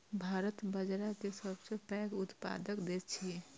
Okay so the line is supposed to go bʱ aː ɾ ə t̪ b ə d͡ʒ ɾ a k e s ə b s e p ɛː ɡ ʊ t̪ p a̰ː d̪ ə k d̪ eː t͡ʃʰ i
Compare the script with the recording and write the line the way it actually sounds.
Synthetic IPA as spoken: bʱ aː ɾ ə t̪ b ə d͡ʒ ɾ a k e s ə b s e p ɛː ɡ ʊ t̪ p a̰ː d̪ ə k d̪ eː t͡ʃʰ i